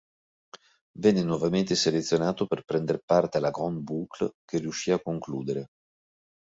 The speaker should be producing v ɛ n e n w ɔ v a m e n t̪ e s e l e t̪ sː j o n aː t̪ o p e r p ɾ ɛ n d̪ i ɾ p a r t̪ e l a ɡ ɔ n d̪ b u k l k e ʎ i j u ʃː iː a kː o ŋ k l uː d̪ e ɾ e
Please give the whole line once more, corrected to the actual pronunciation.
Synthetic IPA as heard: v ɛ nː e n w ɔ v a m e n t̪ e s e l e t̪ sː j o n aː t̪ o p e r p ɾ ɛ n d̪ e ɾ p a r t̪ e l a ɡ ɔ n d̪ b u k l k e r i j u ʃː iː a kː o ŋ k l uː d̪ e ɾ e